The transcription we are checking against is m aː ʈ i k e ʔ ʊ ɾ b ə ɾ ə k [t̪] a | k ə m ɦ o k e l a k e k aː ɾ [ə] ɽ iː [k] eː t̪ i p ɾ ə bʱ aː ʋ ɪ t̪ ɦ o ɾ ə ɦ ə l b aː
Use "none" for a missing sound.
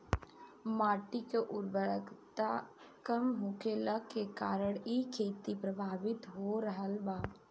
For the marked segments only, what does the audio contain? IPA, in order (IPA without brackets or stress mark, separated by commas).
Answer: t̪, ə, kʰ